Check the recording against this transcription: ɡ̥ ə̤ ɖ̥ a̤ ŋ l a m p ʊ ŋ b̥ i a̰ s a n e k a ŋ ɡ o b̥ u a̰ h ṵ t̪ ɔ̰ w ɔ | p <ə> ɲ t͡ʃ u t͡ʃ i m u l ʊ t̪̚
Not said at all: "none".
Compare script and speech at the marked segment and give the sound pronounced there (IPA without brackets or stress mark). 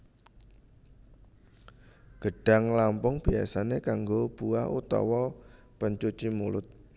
ə